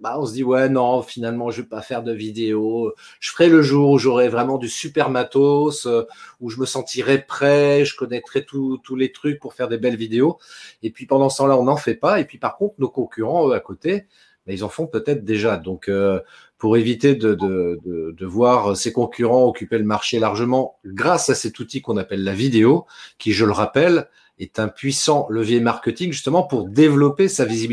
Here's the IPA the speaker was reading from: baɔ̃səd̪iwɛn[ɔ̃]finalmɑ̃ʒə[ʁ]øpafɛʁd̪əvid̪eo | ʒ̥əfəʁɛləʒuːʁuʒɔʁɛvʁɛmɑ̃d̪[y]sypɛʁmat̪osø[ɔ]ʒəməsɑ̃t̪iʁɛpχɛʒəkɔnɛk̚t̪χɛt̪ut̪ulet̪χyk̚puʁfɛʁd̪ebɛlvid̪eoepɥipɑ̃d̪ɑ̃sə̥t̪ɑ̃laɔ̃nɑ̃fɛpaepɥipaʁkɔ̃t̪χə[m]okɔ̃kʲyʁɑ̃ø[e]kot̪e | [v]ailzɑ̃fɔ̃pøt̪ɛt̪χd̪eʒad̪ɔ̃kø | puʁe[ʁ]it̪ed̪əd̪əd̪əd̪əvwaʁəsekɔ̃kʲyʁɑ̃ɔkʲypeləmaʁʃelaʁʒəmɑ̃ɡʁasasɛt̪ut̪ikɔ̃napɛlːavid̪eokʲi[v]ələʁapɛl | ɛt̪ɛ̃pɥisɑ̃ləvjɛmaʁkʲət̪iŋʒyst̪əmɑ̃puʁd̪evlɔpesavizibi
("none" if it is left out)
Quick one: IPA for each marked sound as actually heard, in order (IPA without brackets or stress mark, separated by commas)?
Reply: ɔ̃, v, y, u, n, a, b, v, ʒ